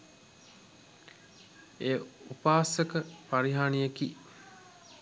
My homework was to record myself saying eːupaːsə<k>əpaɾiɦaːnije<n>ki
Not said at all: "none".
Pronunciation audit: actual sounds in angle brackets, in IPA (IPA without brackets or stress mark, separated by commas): k, none